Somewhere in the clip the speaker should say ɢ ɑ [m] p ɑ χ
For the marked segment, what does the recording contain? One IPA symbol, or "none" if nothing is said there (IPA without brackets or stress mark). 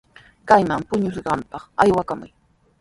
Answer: m